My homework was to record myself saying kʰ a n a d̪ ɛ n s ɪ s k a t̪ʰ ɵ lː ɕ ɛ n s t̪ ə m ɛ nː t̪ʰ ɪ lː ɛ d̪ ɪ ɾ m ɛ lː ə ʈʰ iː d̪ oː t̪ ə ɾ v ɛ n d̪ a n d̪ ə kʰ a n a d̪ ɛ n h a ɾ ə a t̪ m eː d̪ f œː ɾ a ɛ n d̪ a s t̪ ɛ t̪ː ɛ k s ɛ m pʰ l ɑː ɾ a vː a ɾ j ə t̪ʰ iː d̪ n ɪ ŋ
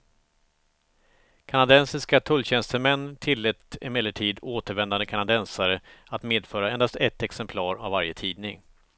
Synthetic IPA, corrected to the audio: kʰ a n a d̪ ɛ n s ɪ s k a t̪ʰ ɵ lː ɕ ɛ n s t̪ ə m ɛ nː t̪ʰ ɪ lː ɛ t̪ ɪ m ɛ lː ə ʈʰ iː d̪ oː t̪ ə ɾ v ɛ n d̪ a n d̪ ə kʰ a n a d̪ ɛ n s a ɾ ə a t̪ m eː d̪ f œː ɾ a ɛ n d̪ a s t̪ ɛ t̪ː ɛ k s ɛ m pʰ l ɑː ɾ a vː a ɾ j ə t̪ʰ iː d̪ n ɪ ŋ